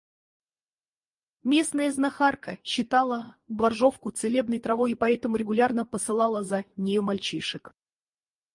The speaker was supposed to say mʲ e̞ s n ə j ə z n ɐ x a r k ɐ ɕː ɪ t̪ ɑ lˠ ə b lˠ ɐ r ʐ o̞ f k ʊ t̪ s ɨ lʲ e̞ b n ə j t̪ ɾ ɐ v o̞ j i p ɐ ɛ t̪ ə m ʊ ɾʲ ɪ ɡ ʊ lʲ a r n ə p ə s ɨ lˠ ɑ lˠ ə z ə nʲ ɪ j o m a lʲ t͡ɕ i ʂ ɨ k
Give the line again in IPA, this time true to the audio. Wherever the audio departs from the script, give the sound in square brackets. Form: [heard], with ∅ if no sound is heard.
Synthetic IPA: mʲ e̞ s n ə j ə z n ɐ x a r k [ə] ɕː ɪ t̪ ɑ lˠ ə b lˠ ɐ r ʐ o̞ f k ʊ t̪ s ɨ lʲ e̞ b n ə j t̪ ɾ ɐ v o̞ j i p ɐ ɛ t̪ ə m ʊ ɾʲ ɪ ɡ ʊ lʲ a r n ə p ə s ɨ lˠ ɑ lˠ ə z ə nʲ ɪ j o m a lʲ t͡ɕ i ʂ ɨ k

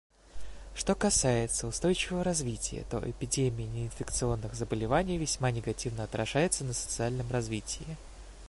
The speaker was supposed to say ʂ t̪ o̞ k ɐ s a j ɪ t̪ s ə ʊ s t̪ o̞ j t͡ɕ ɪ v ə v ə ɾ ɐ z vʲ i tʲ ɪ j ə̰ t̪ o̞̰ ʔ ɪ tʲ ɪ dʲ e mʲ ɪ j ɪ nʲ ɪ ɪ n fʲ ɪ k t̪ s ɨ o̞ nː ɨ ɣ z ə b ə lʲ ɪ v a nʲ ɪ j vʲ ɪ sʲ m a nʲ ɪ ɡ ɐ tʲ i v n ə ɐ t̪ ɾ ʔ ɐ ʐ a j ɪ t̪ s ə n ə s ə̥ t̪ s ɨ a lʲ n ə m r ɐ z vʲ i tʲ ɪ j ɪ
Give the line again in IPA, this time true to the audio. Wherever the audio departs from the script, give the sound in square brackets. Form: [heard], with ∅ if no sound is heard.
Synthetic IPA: ʂ t̪ o̞ k ɐ s a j ɪ t̪ s ə ʊ s t̪ o̞ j t͡ɕ ɪ v ə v ə ɾ ɐ z vʲ i tʲ ɪ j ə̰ t̪ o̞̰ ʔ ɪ [pʲ] ɪ dʲ e mʲ ɪ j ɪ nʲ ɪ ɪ n fʲ ɪ k t̪ s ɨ o̞ nː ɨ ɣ z ə b ə lʲ ɪ v a nʲ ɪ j vʲ ɪ sʲ m a nʲ ɪ ɡ ɐ tʲ i v n ə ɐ t̪ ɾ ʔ ɐ ʐ a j ɪ t̪ s ə n ə s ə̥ t̪ s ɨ a lʲ n ə m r ɐ z vʲ i tʲ ɪ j ɪ

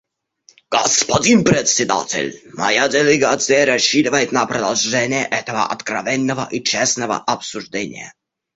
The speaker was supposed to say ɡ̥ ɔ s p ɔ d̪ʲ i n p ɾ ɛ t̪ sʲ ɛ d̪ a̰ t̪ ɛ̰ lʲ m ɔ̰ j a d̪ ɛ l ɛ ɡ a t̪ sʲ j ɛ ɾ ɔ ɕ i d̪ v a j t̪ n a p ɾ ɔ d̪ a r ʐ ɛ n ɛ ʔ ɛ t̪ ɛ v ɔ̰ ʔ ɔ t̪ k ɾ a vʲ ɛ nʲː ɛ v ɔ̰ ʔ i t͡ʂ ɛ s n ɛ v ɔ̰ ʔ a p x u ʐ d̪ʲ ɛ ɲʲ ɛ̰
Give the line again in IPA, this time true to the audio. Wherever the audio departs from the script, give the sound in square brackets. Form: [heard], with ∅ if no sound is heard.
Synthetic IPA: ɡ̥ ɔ s p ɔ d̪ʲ i n p ɾ ɛ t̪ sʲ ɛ d̪ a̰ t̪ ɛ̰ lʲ m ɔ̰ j a d̪ ɛ l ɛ ɡ a t̪ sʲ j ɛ ɾ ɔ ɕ i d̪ v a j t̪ n a p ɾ ɔ d̪ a [l] ʐ ɛ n ɛ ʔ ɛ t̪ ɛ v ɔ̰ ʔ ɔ t̪ k ɾ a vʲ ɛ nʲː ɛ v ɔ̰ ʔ i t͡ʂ ɛ s n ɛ v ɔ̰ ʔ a p [s] u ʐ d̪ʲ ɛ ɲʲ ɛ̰

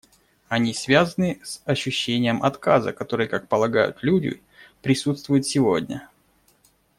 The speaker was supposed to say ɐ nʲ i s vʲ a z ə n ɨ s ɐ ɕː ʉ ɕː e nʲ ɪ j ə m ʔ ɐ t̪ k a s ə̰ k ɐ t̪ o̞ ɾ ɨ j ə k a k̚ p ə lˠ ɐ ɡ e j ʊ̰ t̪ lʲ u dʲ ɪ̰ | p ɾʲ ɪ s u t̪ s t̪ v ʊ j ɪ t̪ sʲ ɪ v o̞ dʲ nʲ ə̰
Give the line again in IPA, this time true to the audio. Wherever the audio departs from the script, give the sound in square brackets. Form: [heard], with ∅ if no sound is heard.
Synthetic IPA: ɐ nʲ i s vʲ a z ə n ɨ s ɐ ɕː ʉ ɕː e nʲ ɪ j ə m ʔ ɐ t̪ k a [z] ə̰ k ɐ t̪ o̞ ɾ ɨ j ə k a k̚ p ə lˠ ɐ ɡ [a] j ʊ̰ t̪ lʲ u dʲ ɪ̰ | p ɾʲ ɪ s u t̪ s t̪ v ʊ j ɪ t̪ sʲ ɪ v o̞ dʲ nʲ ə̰

